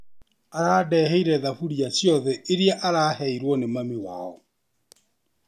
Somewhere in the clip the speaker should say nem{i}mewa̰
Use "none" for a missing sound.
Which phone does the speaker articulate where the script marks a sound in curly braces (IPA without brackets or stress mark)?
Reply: a